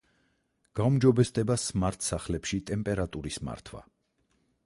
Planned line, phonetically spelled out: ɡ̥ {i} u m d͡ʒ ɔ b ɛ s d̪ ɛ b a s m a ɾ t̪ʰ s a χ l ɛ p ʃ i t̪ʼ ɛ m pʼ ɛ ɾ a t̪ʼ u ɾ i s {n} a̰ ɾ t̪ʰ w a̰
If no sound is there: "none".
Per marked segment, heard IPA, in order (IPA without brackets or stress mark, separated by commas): a, m